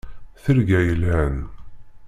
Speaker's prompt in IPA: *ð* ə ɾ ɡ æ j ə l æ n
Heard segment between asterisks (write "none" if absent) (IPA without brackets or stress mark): θ